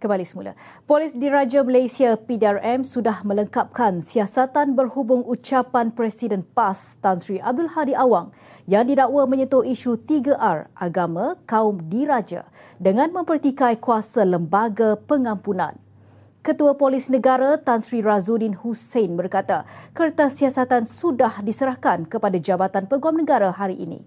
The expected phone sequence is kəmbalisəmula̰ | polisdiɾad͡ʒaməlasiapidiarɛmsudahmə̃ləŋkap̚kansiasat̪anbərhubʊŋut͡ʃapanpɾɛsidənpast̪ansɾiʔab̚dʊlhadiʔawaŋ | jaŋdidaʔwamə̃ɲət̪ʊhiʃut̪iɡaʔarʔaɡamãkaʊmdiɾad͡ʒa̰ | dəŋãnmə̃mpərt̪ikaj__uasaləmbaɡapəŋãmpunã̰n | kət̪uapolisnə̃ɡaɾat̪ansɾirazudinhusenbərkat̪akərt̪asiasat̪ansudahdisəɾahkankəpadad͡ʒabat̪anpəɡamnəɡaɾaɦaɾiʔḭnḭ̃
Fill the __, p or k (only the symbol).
k